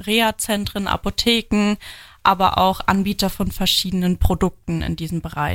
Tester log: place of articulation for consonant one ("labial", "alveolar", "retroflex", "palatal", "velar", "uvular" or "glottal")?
uvular